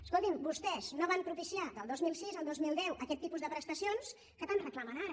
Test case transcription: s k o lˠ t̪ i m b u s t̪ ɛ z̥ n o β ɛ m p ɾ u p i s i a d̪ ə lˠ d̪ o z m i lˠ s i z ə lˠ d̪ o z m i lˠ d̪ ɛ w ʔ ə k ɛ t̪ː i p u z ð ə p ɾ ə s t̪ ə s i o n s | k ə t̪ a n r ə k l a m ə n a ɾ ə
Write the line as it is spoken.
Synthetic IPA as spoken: s k o lˠ t̪ i m b u s t̪ ɛ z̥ n o β a m p ɾ u p i s i a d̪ ə lˠ d̪ o z m i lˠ s i z ə lˠ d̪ o z m i lˠ d̪ ɛ w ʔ ə k ɛ t̪ː i p u z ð ə p ɾ ə s t̪ ə s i o n s | k ə t̪ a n r ə k l a m ə n a ɾ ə